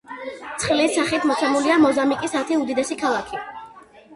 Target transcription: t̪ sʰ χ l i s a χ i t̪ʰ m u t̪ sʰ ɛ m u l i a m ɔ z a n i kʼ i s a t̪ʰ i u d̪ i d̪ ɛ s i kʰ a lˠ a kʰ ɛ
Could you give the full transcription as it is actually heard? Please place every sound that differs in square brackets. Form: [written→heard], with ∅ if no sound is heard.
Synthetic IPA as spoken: t̪ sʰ χ l i s a χ i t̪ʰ m [u→ɔ] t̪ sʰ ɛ m u l i a m ɔ z a [n→m] i kʼ i s a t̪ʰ i u d̪ i d̪ ɛ s i kʰ a lˠ a kʰ [ɛ→i]